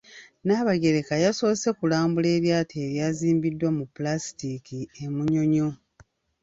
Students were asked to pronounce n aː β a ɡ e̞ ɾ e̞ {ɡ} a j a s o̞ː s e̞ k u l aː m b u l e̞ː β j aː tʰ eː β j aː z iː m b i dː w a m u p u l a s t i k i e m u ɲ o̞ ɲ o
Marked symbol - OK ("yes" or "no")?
no